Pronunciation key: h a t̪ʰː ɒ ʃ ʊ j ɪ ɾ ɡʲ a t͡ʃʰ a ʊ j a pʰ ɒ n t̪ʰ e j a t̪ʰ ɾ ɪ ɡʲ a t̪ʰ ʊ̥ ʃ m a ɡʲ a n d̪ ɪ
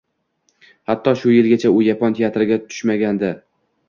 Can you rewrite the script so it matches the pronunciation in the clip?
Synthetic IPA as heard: h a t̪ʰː ɒ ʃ ʊ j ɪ l ɡʲ a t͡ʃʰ a ʊ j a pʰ ɒ n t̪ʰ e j a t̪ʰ ɾ ɪ ɡʲ a t̪ʰ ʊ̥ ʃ m a ɡʲ a n d̪ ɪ